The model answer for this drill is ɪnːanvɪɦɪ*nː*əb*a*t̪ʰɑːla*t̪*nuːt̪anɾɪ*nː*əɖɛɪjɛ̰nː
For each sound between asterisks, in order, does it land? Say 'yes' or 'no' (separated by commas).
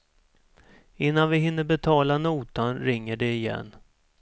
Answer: yes, no, no, no